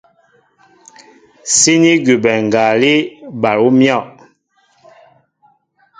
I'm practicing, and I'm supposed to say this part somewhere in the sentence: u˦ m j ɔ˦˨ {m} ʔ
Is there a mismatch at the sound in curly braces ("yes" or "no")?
yes